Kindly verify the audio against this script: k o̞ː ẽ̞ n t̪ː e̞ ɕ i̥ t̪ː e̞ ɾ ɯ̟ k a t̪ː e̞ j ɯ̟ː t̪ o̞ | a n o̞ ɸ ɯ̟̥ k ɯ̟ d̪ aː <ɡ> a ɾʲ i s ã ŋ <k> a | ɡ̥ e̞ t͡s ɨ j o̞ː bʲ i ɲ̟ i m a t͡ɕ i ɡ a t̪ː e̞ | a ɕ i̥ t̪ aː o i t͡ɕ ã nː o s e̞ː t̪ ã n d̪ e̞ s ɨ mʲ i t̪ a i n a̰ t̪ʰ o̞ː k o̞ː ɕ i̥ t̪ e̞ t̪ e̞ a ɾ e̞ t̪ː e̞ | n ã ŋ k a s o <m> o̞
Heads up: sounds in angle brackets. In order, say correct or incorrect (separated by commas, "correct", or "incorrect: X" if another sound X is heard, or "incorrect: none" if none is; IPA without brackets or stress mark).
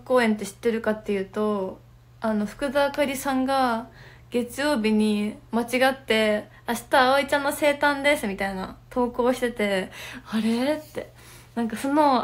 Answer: incorrect: k, incorrect: ɡ, incorrect: n